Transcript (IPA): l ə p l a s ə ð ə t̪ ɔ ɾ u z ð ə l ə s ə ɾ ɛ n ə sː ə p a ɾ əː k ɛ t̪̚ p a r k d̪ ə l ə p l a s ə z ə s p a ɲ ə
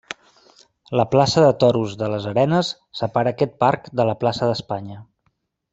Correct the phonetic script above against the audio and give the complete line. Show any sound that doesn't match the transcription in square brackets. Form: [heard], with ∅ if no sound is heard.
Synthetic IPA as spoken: l ə p l a s ə ð ə t̪ ɔ ɾ u z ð ə l ə [z] ə ɾ ɛ n ə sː ə p a ɾ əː k ɛ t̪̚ p a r k d̪ ə l ə p l a s ə [ð] ə s p a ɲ ə